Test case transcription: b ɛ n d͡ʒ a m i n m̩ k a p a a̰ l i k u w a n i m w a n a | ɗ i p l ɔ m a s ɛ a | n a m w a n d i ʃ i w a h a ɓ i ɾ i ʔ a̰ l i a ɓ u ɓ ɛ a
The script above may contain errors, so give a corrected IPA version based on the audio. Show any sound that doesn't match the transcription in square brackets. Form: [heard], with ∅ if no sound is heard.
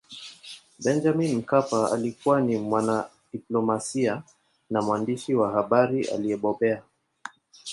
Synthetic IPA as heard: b ɛ n d͡ʒ a m i n m̩ k a p a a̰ l i k u w a n i m w a n a | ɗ i p l ɔ m a s [i] a | n a m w a n d i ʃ i w a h a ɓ [a] ɾ i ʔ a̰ l i [ɛ] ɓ [ɔ] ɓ ɛ a